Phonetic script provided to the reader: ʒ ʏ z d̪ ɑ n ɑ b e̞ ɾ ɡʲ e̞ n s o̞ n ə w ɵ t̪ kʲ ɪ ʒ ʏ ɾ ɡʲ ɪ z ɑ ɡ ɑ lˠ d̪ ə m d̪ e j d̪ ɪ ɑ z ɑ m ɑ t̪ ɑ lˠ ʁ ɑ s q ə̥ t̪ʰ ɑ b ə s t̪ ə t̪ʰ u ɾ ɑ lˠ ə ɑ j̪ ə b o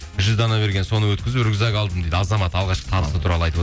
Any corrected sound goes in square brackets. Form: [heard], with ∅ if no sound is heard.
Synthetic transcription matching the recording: ʒ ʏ z d̪ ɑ n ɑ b e̞ ɾ ɡʲ e̞ n s o̞ n ə w ɵ t̪ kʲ ɪ [z] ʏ ɾ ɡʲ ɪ z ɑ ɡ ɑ lˠ d̪ ə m d̪ e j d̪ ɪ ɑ z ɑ m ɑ t̪ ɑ lˠ ʁ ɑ [ʃ] q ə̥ t̪ʰ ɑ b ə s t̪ ə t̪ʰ u ɾ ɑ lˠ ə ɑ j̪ ə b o